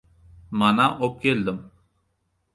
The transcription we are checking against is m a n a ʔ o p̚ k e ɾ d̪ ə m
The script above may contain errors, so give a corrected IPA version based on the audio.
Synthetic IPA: m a n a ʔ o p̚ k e l d̪ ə m

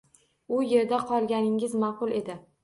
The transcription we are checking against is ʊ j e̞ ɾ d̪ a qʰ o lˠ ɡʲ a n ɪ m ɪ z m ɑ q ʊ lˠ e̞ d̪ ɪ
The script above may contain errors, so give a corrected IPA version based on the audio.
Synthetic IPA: ʊ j e̞ ɾ d̪ a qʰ ɒ lˠ ɡʲ a n ɪ ŋ ɪ z m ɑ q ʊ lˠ e̞ d̪ ɪ

